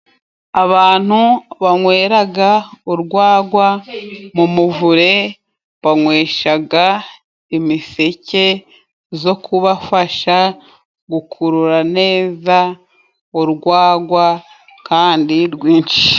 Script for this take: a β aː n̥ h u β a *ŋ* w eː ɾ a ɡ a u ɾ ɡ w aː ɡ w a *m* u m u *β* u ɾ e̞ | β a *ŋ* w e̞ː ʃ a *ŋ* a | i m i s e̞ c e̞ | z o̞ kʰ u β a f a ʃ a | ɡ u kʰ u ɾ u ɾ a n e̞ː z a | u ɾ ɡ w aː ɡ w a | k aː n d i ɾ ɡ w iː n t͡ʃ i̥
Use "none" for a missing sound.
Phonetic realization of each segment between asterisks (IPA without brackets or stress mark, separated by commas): ŋ, m, v, ŋ, ɡ